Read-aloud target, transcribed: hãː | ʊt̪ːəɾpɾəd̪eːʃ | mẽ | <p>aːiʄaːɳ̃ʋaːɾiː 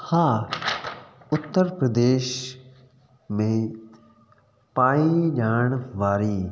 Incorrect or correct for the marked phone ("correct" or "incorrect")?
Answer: correct